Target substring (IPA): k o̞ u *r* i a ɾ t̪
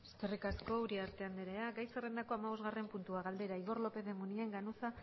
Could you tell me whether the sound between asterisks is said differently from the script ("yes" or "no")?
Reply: yes